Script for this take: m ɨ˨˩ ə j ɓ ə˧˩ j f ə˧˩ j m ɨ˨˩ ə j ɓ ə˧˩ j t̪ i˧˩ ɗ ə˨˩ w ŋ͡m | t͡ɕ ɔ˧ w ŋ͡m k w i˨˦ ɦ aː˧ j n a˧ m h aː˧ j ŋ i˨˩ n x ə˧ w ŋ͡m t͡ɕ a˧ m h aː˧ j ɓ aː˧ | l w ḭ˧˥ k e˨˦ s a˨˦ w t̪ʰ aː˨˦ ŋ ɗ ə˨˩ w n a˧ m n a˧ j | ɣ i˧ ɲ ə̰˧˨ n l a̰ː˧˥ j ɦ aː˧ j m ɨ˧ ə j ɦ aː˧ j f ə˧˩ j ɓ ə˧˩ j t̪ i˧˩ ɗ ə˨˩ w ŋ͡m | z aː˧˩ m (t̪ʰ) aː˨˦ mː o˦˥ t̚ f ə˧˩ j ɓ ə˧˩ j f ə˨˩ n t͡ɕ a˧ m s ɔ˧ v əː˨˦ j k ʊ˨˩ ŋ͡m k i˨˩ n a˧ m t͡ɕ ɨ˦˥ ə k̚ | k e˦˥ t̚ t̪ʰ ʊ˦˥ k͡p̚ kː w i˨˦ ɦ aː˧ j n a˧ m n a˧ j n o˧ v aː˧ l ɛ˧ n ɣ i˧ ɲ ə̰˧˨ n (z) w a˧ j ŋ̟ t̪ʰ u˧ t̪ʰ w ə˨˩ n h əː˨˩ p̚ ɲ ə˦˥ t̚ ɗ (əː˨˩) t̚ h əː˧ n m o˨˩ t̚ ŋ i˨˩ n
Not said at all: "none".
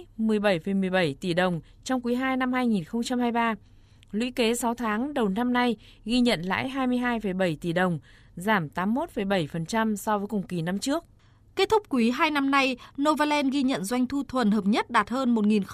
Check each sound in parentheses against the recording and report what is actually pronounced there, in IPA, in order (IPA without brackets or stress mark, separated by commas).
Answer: t̪, z, aː˨˩